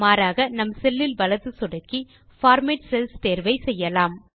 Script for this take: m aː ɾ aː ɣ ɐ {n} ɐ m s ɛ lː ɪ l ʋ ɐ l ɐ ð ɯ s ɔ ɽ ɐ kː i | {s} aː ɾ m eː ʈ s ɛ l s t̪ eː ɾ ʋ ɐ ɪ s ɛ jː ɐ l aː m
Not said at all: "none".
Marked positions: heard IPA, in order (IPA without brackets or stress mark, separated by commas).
n, f